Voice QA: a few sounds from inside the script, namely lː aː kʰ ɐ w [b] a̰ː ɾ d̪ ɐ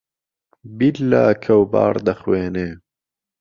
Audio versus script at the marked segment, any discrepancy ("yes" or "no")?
no